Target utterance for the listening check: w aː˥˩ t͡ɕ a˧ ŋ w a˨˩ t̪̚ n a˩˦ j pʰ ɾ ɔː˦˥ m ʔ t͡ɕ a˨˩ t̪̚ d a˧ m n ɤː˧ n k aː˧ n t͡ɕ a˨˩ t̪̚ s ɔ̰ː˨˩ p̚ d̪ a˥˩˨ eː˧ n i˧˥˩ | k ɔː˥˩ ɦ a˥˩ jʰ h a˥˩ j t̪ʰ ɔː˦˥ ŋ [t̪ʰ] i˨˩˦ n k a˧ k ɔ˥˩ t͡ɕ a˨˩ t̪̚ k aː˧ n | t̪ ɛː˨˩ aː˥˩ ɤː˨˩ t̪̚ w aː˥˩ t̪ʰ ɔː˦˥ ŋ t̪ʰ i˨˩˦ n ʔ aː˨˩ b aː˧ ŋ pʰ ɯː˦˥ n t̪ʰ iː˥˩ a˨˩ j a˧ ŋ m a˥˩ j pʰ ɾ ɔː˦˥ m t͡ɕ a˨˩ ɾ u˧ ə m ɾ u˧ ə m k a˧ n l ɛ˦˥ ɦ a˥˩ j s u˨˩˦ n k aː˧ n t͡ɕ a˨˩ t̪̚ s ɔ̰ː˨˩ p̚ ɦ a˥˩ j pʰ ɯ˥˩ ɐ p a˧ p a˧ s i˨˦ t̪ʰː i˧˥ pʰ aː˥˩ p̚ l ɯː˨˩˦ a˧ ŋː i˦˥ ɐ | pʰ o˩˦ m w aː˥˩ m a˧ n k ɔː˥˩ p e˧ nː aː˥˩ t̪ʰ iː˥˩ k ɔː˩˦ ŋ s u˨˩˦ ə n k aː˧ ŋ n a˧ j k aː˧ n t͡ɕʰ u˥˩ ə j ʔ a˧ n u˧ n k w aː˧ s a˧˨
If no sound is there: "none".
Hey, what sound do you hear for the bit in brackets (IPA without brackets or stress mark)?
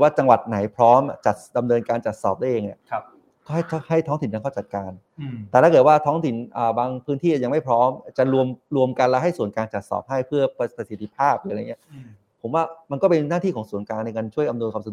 t̪